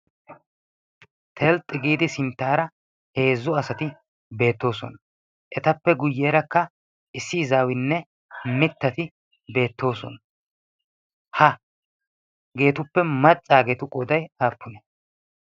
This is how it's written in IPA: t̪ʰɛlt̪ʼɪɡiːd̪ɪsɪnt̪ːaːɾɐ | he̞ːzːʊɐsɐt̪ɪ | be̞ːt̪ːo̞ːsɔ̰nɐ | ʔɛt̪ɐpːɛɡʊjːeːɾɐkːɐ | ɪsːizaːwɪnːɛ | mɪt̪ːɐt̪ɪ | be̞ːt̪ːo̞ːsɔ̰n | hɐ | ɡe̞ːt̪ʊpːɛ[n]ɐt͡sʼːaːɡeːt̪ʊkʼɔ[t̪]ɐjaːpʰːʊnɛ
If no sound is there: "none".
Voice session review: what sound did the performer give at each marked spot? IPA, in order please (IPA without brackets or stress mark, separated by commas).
m, d̪